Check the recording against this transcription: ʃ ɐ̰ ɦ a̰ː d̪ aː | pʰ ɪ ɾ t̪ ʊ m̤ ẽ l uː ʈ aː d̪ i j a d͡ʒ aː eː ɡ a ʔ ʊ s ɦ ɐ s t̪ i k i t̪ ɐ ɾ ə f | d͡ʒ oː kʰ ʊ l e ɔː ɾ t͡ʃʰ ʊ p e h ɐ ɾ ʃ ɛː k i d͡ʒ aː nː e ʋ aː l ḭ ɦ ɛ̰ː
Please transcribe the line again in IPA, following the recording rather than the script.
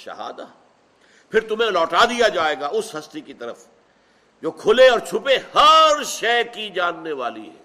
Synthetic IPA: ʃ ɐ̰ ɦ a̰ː d̪ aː | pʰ ɪ ɾ t̪ ʊ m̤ ẽ l ɔː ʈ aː d̪ i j a d͡ʒ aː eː ɡ a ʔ ʊ s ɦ ɐ s t̪ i k i t̪ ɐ ɾ ə f | d͡ʒ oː kʰ ʊ l e ɔː ɾ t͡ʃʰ ʊ p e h ɐ ɾ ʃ ɛː k i d͡ʒ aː nː e ʋ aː l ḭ ɦ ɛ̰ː